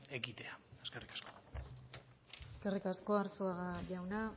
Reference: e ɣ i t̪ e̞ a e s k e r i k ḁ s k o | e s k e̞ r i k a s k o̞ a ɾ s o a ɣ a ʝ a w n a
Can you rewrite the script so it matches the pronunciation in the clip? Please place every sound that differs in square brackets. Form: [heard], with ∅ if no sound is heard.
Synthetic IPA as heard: e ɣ i t̪ e̞ a e s k e r i k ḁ s k o | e s k e̞ r i k a s k o̞ a ɾ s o a ɣ a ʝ a w n a